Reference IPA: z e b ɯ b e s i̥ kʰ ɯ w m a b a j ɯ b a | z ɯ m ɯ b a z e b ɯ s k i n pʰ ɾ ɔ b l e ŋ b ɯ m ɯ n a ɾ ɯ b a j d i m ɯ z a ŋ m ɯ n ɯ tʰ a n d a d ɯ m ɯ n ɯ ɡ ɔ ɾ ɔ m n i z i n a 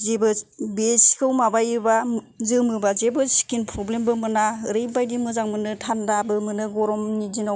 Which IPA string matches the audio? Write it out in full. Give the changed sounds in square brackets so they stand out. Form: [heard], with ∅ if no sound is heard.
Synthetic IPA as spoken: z e b ɯ b e s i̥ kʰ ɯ w m a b a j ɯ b a | z ɯ m ɯ b a z e b ɯ s k i n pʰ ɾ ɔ b l e [m] b ɯ m ɯ n a ɾ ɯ b a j d i m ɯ z a ŋ m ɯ n ɯ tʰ a n d a [b] ɯ m ɯ n ɯ ɡ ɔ ɾ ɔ m n i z i n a